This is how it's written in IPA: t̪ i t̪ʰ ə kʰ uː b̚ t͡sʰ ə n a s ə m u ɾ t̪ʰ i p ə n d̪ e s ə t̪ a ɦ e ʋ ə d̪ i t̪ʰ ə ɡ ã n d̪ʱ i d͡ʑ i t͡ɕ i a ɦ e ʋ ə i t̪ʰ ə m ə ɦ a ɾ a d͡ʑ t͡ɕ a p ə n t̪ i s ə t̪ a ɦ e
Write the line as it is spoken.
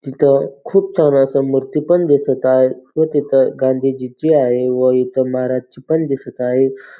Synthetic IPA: t̪ i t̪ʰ ə kʰ uː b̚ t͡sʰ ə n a s ə m u ɾ t̪ i p ə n d̪ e s ə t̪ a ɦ e ʋ ə t̪ i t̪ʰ ə ɡ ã n d̪ʱ i d͡ʑ i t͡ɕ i a ɦ e ʋ ə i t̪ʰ ə m ə ɦ a ɾ a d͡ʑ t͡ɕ i p ə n d̪ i s ə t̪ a ɦ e